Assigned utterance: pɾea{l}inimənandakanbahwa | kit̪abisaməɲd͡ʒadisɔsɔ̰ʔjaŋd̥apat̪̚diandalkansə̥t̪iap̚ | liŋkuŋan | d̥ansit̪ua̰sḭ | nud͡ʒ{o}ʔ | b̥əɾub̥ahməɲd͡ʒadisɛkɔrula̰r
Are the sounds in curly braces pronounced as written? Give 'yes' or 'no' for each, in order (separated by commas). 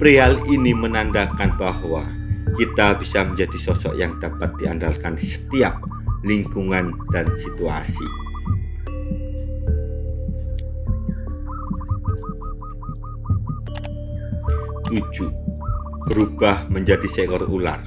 yes, no